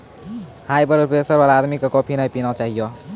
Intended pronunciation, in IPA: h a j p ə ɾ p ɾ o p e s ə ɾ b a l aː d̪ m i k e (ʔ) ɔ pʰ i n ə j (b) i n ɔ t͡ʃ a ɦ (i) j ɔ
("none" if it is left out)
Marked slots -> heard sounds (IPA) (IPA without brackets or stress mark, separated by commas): k, p, i